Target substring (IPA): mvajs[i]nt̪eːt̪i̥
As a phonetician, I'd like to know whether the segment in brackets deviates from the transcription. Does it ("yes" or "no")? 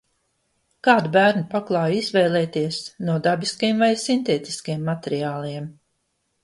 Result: no